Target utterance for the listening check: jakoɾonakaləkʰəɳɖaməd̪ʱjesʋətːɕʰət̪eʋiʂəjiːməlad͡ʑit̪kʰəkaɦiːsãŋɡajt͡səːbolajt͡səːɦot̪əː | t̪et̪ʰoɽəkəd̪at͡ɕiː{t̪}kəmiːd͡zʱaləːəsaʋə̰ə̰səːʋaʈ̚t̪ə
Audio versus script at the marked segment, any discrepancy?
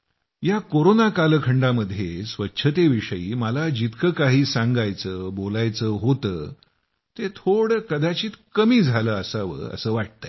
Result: no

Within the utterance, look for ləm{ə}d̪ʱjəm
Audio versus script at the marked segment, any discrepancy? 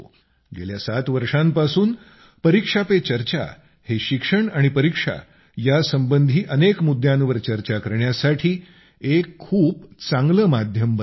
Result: yes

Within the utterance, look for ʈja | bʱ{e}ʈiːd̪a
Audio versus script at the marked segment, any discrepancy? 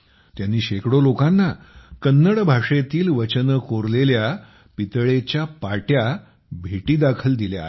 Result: no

